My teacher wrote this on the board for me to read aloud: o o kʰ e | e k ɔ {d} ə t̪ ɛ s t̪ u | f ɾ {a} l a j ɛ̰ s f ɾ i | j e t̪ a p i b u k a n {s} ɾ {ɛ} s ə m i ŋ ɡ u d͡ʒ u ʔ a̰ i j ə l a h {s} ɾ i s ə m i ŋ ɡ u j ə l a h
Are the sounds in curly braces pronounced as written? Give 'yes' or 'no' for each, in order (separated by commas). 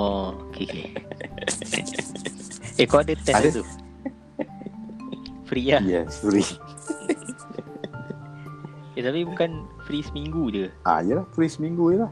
yes, no, no, no, no